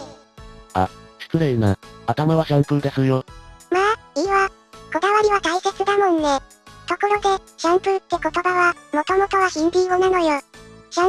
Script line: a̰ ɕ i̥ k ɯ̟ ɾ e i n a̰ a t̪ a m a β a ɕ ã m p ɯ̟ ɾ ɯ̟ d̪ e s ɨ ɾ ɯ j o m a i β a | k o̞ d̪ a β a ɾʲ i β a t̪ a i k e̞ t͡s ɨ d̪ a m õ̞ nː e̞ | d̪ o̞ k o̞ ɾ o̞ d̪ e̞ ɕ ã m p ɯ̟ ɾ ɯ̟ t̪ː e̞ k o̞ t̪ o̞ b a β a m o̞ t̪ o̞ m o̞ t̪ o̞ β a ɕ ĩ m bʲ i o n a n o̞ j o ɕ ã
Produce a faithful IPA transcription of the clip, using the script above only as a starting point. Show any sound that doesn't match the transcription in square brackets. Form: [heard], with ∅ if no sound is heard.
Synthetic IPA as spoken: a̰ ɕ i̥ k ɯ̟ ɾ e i n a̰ a t̪ a m a β a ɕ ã m p ɯ̟ ɾ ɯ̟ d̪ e s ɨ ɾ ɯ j o m a i β a | k o̞ d̪ a β a ɾʲ i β a t̪ a i k e̞ t͡s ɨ d̪ a m õ̞ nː e̞ | [t̪] o̞ k o̞ ɾ o̞ d̪ e̞ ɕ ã m p ɯ̟ ɾ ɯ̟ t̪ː e̞ k o̞ t̪ o̞ b a β a m o̞ t̪ o̞ m o̞ t̪ o̞ β a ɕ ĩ m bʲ i o n a n o̞ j o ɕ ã